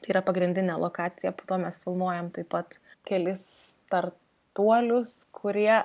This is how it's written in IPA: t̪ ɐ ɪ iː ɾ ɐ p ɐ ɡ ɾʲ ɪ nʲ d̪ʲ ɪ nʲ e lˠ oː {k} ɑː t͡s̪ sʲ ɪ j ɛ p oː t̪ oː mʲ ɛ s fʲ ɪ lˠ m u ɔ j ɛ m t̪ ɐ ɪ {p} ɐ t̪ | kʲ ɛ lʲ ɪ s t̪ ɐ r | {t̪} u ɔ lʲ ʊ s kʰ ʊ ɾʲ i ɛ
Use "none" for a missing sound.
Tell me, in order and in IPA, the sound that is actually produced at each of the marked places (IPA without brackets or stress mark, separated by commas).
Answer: k, p, t̪